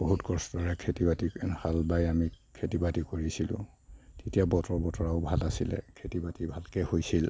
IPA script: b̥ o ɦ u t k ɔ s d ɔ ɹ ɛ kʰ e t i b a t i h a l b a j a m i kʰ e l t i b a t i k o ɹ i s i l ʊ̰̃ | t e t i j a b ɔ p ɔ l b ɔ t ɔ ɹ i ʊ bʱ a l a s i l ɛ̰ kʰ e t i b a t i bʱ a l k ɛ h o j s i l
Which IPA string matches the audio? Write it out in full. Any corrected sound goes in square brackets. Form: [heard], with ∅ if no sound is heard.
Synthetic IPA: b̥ o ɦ u t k ɔ s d ɔ ɹ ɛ kʰ e t i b a t i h a l b a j a m i kʰ e [∅] t i b a t i k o ɹ i s i l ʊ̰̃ | t e t i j a b ɔ [t] ɔ [ɹ] b ɔ t ɔ ɹ [a] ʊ bʱ a l a s i l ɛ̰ kʰ e t i b a t i bʱ a l k ɛ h o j s i l